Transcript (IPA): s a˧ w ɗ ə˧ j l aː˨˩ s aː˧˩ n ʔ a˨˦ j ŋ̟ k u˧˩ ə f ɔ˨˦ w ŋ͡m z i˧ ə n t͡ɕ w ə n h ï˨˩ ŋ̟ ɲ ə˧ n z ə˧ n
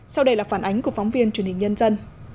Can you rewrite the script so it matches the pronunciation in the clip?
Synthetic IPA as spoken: s a˧ w ɗ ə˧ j l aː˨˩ f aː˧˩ n ʔ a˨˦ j ŋ̟ k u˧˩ ə f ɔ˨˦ w ŋ͡m v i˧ ə n t͡ɕ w ə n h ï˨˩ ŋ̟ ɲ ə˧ n z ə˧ n